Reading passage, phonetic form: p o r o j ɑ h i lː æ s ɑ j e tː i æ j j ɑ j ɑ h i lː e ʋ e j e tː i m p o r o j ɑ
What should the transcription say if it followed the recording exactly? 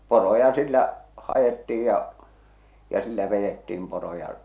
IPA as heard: p o r o j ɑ s i lː æ h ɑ j e tː i i j j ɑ j ɑ s i lː æ ʋ e j e tː iː m p o r o j ɑ